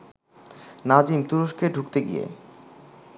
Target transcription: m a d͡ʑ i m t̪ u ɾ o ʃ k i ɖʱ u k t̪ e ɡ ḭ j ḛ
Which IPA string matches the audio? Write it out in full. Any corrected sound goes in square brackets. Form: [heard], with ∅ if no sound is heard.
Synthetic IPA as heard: [n] a d͡ʑ i m t̪ u ɾ o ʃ k [e] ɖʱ u k t̪ e ɡ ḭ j ḛ